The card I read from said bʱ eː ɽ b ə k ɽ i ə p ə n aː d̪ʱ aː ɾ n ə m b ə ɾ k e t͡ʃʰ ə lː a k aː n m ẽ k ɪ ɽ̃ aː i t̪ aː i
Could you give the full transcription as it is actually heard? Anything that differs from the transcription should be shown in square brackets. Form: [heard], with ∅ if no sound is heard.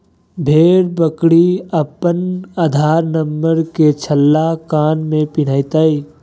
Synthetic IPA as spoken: bʱ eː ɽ b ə k ɽ i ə p ə n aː d̪ʱ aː ɾ n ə m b ə ɾ k e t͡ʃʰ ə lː a k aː n m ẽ [p] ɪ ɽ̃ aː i t̪ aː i